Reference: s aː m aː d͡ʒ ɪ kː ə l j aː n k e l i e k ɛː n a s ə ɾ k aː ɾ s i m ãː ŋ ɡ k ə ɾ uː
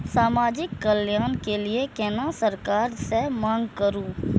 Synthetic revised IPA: s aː m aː d͡ʒ ɪ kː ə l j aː n k e l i e k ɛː n a s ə ɾ k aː ɾ s e m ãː ŋ ɡ k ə ɾ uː